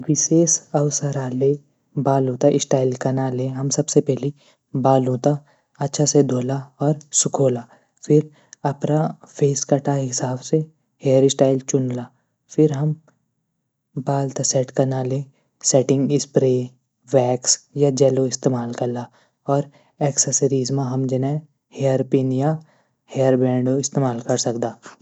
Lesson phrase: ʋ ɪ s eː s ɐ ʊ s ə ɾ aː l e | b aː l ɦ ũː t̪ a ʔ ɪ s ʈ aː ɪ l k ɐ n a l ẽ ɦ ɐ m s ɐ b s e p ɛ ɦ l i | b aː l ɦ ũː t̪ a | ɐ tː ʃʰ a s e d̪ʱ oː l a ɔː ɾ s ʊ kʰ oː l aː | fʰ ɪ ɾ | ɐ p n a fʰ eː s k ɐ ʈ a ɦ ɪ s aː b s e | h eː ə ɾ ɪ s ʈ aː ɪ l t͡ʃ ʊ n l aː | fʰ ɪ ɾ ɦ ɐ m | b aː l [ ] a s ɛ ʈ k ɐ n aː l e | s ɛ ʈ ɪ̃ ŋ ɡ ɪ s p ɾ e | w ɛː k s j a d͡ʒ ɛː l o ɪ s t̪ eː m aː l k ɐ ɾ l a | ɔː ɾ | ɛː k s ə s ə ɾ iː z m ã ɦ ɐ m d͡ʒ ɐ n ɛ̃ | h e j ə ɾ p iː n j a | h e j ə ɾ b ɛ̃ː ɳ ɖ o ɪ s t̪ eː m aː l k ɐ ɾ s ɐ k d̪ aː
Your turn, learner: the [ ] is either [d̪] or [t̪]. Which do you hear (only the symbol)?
t̪